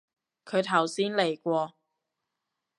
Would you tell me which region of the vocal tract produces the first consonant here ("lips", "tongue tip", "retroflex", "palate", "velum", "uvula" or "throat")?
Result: velum